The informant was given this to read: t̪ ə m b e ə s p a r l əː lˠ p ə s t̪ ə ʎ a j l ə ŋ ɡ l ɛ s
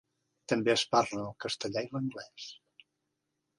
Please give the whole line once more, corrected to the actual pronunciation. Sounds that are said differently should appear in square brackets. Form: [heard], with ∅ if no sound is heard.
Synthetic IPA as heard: t̪ ə m b e ə s p a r l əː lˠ [k] ə s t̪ ə ʎ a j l ə ŋ ɡ l ɛ s

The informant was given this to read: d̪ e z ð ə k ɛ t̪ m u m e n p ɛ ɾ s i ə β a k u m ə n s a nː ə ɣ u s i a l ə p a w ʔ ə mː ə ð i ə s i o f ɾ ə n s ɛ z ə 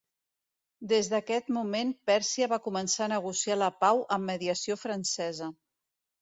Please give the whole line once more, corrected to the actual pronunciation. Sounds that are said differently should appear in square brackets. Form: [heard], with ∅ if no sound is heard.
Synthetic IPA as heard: d̪ e z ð ə k ɛ t̪ m u m e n p ɛ ɾ s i ə β a k u m ə n s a [n] ə ɣ u s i a l ə p a w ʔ ə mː ə ð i ə s i o f ɾ ə n s ɛ z ə

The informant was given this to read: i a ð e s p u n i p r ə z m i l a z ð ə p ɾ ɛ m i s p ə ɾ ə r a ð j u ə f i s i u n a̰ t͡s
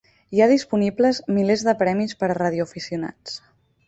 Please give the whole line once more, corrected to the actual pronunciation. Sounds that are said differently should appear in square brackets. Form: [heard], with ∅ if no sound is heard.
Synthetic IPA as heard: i a ð [i] s p u n i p [l] ə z m i l [e] z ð ə p ɾ ɛ m i s p ə ɾ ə r a ð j u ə f i s i u n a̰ t͡s

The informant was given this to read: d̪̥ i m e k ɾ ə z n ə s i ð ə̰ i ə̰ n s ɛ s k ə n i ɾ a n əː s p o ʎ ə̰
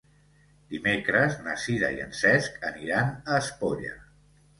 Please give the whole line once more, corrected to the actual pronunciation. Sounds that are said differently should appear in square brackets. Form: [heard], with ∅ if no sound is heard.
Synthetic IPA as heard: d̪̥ i m e k ɾ ə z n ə s i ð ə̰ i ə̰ n s ɛ s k ə n i ɾ a n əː s p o ʎ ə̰

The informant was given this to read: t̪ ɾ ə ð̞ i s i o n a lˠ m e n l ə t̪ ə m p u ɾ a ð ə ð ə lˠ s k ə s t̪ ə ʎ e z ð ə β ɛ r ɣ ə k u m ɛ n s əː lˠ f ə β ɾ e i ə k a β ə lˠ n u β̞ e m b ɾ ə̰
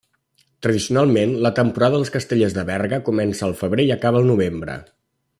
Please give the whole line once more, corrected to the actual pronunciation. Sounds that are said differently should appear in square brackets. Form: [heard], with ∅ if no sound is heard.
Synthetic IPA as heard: t̪ ɾ ə ð̞ i s i [u] n a lˠ m e n l ə t̪ ə m p u ɾ a ð ə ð ə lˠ s k ə s t̪ ə ʎ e z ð ə β ɛ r ɣ ə k u m ɛ n s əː lˠ f ə β ɾ e i ə k a β ə lˠ n u β̞ e m b ɾ ə̰

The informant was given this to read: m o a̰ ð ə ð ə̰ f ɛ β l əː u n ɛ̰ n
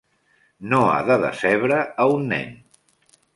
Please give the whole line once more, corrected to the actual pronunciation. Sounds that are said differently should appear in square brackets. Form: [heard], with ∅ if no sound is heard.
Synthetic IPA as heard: [n] o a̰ ð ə ð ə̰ [s] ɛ β [ɾ] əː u [nː] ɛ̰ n

